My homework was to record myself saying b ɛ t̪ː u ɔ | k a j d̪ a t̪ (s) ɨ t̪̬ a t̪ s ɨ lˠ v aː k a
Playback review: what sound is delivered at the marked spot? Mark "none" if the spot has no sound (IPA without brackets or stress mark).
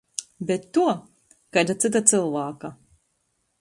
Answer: s